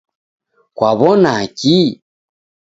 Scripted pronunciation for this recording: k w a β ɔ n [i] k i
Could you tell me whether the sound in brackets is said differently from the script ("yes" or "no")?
yes